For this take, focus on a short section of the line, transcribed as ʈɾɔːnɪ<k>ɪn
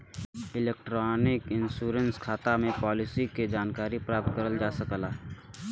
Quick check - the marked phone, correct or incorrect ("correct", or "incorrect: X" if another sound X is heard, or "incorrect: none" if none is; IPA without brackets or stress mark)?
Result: correct